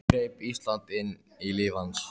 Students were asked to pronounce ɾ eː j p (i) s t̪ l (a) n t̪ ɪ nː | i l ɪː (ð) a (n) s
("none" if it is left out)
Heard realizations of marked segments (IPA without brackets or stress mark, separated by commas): i, a, v, n